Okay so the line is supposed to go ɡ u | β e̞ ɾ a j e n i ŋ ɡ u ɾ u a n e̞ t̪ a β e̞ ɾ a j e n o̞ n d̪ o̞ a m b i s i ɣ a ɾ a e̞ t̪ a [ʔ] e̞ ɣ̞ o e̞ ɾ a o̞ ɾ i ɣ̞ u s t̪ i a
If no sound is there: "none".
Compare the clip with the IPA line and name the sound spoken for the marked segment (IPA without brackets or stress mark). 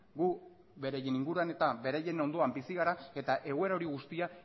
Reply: ʔ